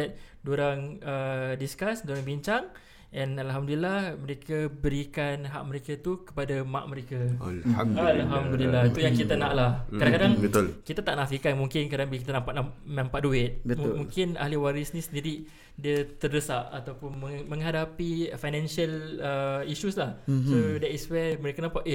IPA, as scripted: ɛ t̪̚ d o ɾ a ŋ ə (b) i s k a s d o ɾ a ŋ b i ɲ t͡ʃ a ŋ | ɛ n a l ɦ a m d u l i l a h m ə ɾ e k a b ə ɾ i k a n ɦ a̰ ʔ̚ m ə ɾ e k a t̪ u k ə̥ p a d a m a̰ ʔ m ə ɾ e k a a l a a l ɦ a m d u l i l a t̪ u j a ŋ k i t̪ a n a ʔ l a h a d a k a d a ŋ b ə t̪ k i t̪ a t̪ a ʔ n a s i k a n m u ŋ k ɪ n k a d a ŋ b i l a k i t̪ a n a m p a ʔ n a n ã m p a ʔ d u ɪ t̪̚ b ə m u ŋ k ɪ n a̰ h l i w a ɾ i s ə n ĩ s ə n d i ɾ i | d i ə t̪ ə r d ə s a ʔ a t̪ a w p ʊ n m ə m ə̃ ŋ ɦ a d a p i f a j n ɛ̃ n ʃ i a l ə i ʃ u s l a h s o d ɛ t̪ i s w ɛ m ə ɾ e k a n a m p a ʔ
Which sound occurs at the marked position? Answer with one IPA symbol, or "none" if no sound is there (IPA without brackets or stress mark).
d